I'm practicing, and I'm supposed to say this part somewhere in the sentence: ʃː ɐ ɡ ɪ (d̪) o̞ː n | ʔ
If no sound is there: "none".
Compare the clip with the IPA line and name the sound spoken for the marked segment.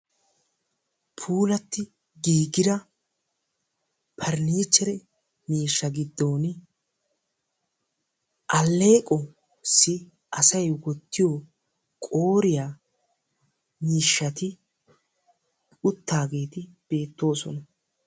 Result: d̪ː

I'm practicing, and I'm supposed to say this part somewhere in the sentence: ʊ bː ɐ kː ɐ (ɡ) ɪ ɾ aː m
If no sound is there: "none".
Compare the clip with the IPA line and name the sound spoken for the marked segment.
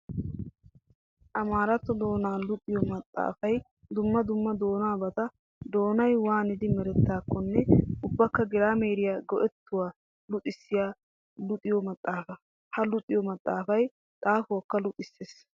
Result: ɡ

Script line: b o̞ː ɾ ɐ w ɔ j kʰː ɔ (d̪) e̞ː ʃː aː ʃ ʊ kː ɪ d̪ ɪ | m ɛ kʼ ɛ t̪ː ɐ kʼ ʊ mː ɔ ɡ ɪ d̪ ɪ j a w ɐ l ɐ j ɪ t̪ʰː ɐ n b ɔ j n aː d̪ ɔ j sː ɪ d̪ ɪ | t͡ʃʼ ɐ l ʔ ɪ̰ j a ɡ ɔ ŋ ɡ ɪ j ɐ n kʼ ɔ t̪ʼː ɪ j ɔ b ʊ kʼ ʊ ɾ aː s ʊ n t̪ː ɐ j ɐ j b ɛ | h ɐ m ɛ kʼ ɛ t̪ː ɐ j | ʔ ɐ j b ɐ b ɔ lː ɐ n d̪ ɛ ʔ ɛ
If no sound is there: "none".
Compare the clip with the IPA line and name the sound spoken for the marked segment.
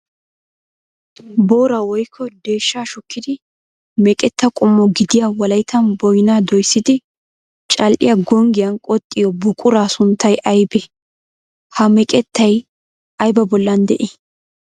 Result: d̪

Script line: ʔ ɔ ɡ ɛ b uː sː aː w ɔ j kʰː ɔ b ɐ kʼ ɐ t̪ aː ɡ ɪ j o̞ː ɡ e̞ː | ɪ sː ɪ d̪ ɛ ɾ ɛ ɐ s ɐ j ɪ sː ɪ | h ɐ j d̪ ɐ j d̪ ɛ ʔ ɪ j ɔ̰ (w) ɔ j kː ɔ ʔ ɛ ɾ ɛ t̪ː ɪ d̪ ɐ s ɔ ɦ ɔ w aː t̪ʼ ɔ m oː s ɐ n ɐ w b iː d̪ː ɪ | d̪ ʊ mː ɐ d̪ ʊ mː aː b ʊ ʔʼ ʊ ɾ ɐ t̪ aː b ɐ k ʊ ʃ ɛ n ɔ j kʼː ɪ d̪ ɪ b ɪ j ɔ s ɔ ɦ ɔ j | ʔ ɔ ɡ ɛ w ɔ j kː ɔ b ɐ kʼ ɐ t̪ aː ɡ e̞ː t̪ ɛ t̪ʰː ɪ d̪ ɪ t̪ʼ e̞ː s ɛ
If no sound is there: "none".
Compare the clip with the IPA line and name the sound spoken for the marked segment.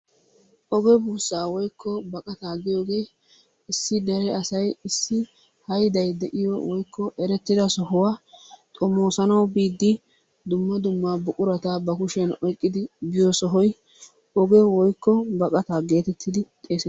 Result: w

